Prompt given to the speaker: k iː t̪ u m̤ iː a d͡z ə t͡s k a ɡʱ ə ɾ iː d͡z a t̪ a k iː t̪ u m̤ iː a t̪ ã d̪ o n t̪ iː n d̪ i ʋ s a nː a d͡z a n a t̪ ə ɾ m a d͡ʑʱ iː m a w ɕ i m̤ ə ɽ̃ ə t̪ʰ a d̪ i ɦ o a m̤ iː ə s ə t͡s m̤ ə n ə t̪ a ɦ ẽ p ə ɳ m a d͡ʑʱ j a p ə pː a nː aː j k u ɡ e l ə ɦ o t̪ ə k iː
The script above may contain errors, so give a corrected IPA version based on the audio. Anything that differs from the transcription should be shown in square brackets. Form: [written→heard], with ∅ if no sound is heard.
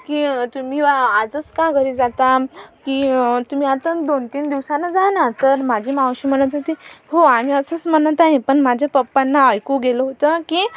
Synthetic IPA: k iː t̪ u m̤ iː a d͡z ə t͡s k a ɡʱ ə ɾ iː d͡z a t̪ a k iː t̪ u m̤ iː a t̪ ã d̪ o n t̪ iː n d̪ i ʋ s a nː a d͡z a n a t̪ ə ɾ m a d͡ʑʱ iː m a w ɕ i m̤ ə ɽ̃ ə [t̪ʰ→t̪] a [d̪→t̪] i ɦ o a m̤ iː ə s ə t͡s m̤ ə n ə t̪ a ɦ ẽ p ə ɳ m a d͡ʑʱ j a p ə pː a nː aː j k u ɡ e l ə ɦ o t̪ ə k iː